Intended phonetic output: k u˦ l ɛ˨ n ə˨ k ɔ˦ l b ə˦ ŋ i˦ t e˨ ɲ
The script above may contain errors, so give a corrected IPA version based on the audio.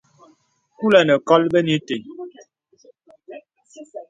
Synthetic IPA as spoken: k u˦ l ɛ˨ n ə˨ k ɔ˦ l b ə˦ n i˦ t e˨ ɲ